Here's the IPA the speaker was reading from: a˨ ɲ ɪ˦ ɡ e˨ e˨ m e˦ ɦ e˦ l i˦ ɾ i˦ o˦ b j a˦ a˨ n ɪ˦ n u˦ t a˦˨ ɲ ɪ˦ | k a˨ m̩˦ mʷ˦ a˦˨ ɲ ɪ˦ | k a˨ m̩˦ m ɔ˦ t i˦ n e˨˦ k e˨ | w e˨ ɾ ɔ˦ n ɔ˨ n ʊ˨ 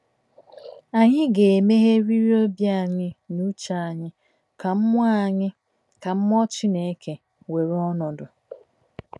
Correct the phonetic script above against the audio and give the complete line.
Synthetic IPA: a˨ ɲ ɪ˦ ɡ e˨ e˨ m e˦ ɦ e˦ ɾ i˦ ɾ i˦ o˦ b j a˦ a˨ ɲ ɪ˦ n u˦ t͡ʃ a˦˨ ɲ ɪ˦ | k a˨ m̩˦ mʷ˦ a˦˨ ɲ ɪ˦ | k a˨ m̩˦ m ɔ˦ t͡ʃ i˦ n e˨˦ k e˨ | w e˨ ɾ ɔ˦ n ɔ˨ d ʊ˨

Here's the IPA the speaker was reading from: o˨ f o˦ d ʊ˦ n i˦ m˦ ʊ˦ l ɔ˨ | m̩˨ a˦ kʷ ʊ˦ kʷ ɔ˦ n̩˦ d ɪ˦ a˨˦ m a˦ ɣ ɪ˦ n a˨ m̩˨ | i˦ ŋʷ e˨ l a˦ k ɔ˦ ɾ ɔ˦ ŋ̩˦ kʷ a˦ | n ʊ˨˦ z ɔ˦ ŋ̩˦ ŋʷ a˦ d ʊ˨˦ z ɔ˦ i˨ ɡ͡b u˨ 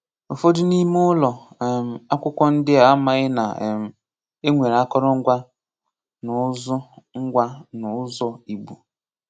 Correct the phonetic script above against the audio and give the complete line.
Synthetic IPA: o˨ f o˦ d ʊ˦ n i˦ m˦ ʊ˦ l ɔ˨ | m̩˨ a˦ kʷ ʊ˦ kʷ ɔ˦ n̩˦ d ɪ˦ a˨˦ m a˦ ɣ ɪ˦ n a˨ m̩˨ | e˦ ŋʷ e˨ ɾ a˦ k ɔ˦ ɾ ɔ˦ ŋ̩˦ ɡʷ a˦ | n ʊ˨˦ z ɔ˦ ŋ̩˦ ɡʷ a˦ n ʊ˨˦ z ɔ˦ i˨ ɡ͡b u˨

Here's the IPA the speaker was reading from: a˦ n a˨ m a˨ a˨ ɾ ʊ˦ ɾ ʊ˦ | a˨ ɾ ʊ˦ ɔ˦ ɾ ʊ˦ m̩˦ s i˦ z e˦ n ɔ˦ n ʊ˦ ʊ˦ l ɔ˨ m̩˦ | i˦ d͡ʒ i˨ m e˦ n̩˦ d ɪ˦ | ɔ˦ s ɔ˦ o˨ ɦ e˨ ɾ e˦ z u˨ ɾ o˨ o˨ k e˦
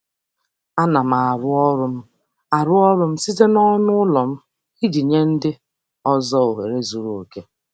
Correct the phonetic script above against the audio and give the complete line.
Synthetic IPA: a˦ n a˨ m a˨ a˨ ɾ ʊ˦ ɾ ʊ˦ | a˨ ɾ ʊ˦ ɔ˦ ɾ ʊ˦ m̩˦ s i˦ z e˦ n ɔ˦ n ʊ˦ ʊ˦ l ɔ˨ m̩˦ | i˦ d͡ʒ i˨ ɲ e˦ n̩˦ d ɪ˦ | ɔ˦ z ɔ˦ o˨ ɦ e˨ ɾ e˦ z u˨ ɾ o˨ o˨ k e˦

